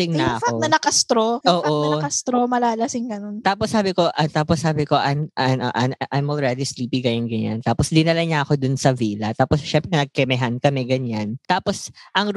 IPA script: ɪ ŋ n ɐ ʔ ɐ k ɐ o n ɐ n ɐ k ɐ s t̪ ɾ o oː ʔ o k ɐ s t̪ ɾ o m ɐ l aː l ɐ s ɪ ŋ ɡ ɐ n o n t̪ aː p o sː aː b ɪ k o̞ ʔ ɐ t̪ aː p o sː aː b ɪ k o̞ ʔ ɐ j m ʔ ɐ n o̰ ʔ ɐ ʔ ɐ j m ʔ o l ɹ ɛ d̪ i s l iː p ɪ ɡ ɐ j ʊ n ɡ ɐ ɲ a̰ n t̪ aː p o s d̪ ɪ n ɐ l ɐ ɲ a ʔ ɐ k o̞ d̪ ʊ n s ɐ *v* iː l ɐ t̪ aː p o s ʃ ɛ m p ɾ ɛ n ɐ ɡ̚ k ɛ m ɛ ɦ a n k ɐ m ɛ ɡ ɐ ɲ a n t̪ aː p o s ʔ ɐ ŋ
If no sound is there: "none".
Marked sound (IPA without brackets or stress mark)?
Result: v